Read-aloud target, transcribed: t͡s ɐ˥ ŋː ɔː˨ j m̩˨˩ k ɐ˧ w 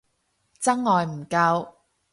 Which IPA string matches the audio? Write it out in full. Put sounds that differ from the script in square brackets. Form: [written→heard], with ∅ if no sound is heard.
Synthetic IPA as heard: t͡s ɐ˥ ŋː ɔː˨ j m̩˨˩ k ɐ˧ w